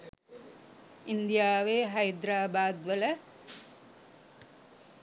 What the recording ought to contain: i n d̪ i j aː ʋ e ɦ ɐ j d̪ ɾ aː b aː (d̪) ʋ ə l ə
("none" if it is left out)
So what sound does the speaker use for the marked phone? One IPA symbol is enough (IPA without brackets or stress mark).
d̪